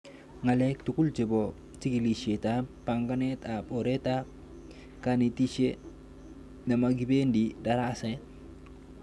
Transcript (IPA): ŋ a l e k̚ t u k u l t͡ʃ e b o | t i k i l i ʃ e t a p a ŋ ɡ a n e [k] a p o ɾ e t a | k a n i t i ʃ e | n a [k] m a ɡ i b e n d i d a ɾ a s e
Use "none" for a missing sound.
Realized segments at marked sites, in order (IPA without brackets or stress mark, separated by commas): t, none